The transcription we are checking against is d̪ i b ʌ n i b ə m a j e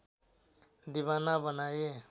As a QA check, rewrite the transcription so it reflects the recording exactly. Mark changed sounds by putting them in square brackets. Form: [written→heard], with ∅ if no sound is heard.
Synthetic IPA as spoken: d̪ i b [ʌ→a] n [i→a] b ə [m→n] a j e